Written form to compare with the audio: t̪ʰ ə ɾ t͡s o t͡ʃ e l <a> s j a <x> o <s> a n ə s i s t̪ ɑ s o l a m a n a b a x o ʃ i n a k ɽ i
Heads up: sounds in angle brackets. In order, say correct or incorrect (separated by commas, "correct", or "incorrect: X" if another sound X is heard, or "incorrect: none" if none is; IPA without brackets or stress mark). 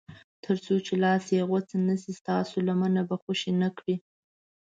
incorrect: ɑ, incorrect: ɣ, incorrect: t͡s